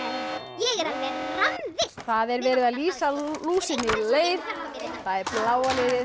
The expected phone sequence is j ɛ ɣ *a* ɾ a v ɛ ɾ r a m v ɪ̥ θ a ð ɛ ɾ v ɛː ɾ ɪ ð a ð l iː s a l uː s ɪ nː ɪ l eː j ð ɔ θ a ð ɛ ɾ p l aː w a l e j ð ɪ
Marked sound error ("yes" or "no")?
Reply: yes